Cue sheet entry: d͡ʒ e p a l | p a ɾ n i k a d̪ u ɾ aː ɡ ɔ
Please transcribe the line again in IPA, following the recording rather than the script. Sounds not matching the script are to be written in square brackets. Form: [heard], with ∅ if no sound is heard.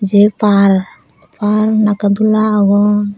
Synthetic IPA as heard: d͡ʒ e p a [ɾ] | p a ɾ n [a] k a d̪ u [l] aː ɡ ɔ